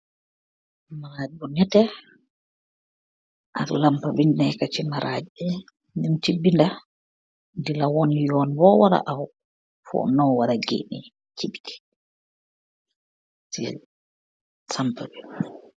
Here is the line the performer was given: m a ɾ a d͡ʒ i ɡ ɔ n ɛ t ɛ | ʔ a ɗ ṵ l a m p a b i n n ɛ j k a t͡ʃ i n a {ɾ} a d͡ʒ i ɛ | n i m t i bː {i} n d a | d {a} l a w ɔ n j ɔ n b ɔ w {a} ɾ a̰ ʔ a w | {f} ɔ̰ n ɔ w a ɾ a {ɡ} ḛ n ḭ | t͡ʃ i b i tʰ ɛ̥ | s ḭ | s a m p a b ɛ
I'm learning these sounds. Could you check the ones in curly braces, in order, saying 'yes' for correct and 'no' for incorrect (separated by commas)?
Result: yes, yes, no, yes, yes, yes